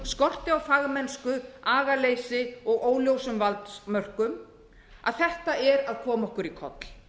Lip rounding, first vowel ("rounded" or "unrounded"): rounded